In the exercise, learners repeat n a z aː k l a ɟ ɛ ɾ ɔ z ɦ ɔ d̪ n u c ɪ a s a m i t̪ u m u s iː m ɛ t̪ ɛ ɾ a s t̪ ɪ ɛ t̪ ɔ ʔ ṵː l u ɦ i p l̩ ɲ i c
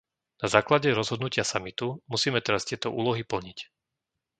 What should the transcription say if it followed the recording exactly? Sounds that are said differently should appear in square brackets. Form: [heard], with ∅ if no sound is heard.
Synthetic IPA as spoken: n a z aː k l a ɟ ɛ ɾ ɔ z ɦ ɔ d̪ n u c ɪ a s a m i t̪ u m u s iː m ɛ t̪ ɛ ɾ a s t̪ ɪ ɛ t̪ ɔ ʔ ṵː l [ɔ] ɦ i p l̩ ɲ i c